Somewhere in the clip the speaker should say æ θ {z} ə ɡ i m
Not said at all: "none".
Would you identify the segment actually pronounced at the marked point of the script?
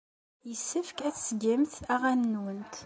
s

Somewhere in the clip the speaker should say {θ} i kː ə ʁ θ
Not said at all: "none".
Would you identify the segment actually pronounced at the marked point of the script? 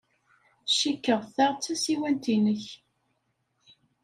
ʃ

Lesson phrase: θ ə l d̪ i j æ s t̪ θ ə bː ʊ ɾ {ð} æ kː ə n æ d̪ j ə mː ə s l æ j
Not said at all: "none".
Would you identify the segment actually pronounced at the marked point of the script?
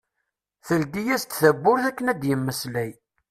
θ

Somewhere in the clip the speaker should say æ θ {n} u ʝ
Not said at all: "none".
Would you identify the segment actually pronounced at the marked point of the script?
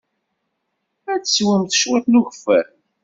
n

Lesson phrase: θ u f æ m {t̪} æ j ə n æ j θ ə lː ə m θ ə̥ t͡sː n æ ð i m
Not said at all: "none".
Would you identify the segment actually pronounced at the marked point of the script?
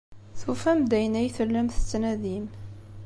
d̪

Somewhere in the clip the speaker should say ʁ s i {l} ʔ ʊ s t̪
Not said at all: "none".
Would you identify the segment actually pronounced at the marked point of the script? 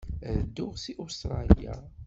none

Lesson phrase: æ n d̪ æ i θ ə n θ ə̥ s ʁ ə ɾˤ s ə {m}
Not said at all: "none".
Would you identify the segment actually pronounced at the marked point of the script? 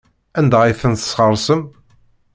m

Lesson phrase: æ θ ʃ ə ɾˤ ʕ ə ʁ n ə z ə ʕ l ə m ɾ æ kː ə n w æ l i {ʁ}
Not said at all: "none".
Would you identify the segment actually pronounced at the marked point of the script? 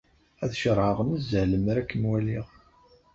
ʁ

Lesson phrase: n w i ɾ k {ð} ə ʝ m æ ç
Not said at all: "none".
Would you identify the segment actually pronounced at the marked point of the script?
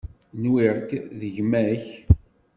ð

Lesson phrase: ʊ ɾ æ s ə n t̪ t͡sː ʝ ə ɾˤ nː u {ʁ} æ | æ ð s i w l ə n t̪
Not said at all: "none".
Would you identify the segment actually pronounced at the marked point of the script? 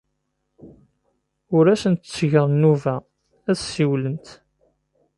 v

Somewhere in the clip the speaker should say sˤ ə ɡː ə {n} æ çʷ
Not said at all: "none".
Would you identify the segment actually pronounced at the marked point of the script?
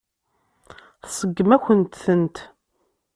m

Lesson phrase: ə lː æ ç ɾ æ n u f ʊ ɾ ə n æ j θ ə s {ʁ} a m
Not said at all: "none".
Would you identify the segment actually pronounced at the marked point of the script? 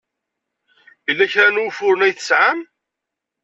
ʕ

